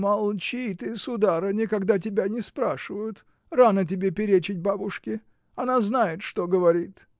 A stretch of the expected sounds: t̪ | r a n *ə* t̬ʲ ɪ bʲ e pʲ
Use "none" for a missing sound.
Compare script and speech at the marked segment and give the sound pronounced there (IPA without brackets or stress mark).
ə